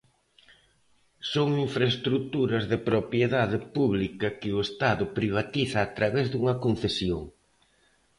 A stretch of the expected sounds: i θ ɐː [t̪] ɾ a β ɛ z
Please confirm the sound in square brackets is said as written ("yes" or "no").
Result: yes